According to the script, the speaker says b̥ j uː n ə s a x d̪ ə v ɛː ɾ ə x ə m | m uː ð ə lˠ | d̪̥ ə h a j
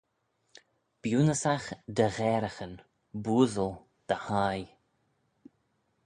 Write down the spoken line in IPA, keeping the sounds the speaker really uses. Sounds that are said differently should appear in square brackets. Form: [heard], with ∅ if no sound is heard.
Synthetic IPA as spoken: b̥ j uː n ə s a x d̪ ə [ɣ] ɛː ɾ ə x ə [n] | [b] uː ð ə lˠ | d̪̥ ə h a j